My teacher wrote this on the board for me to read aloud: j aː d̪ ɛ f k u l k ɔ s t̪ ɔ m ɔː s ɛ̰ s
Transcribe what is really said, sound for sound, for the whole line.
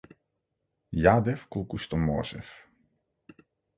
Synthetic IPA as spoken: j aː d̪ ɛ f k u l k u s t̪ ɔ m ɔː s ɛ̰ f